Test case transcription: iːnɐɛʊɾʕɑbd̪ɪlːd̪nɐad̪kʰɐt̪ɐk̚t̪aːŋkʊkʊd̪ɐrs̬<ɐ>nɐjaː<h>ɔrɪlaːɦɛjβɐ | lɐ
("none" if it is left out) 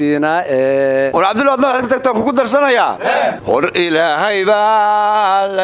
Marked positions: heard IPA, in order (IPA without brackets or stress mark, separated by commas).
ɐ, h